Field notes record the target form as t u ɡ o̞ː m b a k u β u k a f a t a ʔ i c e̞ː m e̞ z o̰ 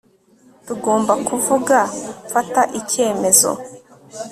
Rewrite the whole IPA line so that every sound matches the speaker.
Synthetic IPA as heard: t u ɡ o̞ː m b a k u v u ɡ a f a t a ʔ i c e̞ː m e̞ z o̰

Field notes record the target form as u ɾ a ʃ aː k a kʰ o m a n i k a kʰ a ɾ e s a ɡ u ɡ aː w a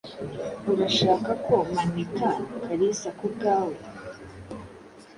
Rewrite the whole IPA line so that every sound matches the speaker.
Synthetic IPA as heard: u ɾ a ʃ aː k a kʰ o m a n i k a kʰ a ɾ i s a k u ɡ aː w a

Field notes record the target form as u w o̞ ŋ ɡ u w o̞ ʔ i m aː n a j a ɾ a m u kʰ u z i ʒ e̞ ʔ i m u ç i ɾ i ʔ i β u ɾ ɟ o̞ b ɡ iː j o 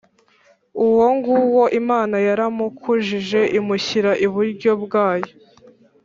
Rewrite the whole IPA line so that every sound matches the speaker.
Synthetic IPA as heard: u w o̞ ŋ ɡ u w o̞ ʔ i m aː n a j a ɾ a m u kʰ u ʒ i ʒ e̞ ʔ i m u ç i ɾ a ʔ i β u ɾ ɟ o̞ b ɡ aː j o

